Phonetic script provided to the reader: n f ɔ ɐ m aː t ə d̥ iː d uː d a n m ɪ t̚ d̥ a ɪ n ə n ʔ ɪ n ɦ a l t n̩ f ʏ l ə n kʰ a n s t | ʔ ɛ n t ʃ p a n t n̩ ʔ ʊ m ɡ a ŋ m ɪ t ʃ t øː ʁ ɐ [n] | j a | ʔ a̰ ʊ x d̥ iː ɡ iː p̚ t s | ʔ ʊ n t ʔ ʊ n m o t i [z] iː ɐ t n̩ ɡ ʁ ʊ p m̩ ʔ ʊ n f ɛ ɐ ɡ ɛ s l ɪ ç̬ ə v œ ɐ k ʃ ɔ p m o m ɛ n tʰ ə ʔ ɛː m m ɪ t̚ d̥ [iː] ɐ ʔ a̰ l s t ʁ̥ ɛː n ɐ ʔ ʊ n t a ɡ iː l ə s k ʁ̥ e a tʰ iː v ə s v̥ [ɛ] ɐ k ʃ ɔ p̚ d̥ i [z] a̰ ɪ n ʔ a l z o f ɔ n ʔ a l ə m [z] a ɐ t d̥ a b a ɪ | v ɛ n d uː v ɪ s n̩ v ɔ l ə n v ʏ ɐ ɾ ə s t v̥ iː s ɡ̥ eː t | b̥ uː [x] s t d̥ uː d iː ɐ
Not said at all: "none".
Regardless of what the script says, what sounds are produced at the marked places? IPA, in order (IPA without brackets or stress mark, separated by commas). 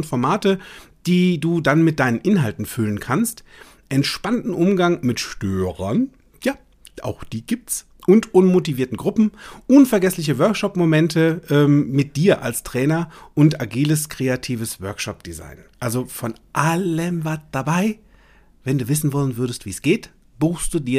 n, v, iː, œ, z, v, x